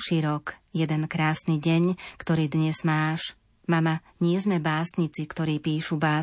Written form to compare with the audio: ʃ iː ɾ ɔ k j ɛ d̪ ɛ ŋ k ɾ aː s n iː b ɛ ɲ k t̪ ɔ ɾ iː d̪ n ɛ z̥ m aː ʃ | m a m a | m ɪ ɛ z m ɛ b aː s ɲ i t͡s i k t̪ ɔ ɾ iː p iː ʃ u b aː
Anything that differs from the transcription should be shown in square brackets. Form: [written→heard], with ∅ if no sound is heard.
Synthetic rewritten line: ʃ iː ɾ ɔ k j ɛ d̪ ɛ [ŋ→n] k ɾ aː s n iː [b→ɟ] ɛ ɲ k t̪ ɔ ɾ iː d̪ [n→ɲ] ɛ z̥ m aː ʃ | m a m a | [m→ɲ] ɪ ɛ z m ɛ b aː s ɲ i t͡s i k t̪ ɔ ɾ iː p iː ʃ u b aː